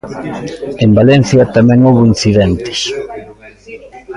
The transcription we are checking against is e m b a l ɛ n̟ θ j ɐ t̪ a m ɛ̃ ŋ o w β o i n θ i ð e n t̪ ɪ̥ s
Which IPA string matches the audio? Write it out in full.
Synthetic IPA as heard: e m b a l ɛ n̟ θ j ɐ t̪ a m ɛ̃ ŋ o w β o i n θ i ð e n t̪ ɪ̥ s